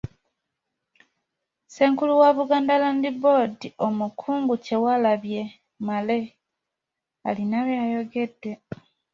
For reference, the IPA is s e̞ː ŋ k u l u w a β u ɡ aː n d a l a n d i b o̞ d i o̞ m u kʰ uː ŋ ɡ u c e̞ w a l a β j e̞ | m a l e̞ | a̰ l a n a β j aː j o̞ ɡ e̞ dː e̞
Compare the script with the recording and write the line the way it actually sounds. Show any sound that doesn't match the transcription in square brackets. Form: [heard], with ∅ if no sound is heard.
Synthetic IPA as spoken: s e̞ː ŋ k u l u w a β u ɡ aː n d a l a n d i b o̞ d i o̞ m u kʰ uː ŋ ɡ u c e̞ w a l a β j e̞ | m a l e̞ | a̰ l [i] n a β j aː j o̞ ɡ e̞ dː e̞